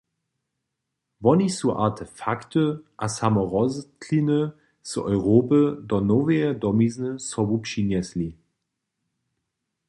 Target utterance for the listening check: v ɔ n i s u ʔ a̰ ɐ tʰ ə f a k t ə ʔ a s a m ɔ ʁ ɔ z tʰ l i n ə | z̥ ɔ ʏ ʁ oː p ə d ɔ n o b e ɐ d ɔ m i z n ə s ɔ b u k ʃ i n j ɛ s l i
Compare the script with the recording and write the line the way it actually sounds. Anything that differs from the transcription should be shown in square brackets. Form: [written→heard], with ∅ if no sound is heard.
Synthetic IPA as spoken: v ɔ n i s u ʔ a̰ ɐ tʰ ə f a k t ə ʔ a s a m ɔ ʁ ɔ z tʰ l i n ə | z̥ ɔ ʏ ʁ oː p ə d ɔ n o [b→v] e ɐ d ɔ m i z n ə s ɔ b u [k→p] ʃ i n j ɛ s l i